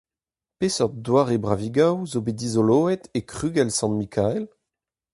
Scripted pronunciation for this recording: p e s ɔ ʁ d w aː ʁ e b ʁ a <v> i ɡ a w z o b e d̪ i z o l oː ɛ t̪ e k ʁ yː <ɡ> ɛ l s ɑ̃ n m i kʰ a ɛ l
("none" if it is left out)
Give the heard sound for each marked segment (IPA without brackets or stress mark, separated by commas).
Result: v, ɡ